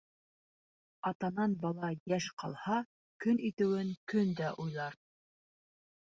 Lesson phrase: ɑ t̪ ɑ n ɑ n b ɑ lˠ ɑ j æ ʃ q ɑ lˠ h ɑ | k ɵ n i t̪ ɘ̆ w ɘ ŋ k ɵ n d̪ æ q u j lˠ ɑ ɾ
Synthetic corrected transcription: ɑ t̪ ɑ n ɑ n b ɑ lˠ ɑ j æ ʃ q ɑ lˠ h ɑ | k ɵ n i t̪ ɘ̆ w ɘ ŋ k ɵ n d̪ æ ʔ u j lˠ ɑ ɾ